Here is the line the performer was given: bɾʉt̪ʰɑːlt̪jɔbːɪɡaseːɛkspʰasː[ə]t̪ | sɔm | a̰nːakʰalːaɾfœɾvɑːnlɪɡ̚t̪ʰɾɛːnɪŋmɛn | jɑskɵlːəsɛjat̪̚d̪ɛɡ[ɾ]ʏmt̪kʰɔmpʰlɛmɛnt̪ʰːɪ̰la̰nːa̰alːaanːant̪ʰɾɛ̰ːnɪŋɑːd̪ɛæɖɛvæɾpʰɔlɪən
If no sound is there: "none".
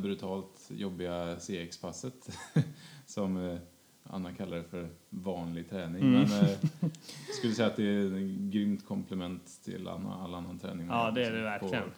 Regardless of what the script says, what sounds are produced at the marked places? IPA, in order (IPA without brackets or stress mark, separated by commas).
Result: ə, ɾ